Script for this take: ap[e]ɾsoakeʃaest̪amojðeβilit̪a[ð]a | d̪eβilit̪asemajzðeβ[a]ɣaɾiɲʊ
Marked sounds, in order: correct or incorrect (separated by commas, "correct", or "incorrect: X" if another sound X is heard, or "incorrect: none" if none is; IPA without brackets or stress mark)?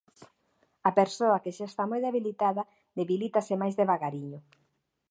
correct, correct, correct